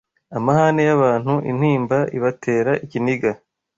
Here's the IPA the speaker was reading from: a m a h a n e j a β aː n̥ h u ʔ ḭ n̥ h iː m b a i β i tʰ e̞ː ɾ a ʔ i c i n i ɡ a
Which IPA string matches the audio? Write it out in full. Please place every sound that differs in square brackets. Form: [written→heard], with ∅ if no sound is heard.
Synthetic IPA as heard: a m a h a n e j a β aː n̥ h u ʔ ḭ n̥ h iː m b a i β [i→a] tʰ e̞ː ɾ a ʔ i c i n i ɡ a